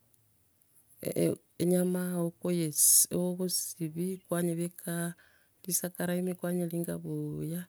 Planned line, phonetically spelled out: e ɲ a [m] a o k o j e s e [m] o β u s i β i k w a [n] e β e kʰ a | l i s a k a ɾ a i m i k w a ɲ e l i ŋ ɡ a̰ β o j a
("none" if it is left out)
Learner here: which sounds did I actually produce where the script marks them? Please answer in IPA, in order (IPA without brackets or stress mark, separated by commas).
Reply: m, none, ɲ